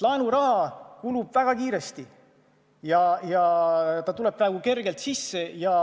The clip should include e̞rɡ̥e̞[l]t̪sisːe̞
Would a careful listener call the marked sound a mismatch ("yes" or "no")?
no